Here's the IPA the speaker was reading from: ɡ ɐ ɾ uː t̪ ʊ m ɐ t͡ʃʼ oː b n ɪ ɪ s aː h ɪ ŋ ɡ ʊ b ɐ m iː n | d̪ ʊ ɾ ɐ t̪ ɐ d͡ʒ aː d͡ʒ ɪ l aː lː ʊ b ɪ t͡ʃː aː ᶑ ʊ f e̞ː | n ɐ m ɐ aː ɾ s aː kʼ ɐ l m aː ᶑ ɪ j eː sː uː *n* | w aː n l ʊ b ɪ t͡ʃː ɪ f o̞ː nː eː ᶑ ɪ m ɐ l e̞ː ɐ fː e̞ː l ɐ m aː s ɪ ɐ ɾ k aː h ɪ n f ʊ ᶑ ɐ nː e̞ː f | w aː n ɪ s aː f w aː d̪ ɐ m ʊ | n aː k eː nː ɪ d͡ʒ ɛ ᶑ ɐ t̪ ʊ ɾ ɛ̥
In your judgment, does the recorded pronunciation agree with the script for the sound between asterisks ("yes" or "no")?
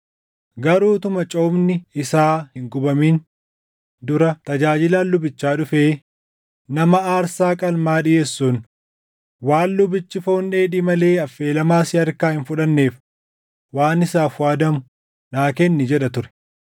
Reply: yes